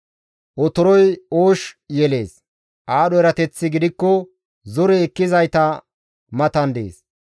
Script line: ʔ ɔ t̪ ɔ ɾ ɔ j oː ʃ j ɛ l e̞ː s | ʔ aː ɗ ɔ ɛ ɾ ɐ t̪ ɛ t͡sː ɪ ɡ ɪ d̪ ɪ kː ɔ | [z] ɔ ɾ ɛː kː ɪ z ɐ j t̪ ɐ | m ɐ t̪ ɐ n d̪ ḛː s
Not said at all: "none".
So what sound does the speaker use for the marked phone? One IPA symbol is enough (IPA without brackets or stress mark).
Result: z